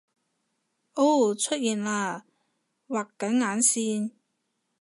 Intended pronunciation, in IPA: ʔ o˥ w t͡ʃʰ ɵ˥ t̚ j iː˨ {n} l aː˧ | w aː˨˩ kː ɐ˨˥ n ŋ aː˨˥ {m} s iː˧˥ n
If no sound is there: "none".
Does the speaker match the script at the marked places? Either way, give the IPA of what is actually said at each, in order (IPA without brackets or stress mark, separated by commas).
n, n